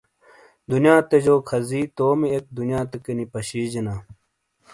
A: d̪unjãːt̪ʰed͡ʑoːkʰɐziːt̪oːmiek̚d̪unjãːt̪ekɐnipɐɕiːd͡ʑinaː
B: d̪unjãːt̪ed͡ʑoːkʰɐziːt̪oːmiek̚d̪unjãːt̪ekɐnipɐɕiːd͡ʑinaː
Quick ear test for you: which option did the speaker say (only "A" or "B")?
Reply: B